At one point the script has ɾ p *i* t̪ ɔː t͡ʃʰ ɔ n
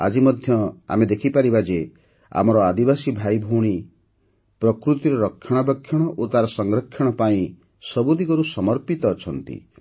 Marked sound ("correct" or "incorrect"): correct